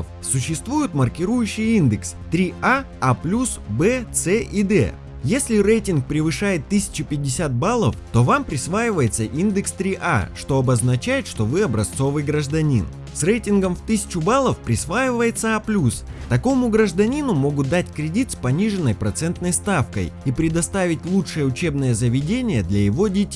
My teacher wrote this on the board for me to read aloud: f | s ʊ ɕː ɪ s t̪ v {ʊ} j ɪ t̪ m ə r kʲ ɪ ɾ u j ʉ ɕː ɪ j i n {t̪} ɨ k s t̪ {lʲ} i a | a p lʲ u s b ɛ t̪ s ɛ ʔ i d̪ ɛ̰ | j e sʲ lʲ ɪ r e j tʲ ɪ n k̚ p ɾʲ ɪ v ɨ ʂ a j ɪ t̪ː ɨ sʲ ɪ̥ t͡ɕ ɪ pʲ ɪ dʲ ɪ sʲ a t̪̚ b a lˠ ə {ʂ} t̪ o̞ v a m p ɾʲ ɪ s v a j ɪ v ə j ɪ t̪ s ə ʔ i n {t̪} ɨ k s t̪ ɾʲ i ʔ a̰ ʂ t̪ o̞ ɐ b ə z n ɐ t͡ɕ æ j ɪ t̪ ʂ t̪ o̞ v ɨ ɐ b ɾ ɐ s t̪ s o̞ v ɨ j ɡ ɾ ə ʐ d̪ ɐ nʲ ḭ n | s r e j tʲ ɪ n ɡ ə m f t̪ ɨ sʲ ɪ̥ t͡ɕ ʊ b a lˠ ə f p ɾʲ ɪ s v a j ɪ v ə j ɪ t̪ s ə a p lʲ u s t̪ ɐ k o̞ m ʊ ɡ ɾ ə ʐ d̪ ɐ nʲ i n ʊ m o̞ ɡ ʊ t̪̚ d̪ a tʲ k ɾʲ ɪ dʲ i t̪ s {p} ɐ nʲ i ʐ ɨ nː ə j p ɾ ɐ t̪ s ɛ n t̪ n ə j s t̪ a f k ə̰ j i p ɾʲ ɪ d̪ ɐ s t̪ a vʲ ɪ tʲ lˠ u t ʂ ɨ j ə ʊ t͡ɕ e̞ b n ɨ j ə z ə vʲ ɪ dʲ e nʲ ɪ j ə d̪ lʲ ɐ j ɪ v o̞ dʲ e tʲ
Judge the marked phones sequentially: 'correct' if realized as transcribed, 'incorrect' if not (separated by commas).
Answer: incorrect, incorrect, incorrect, incorrect, incorrect, correct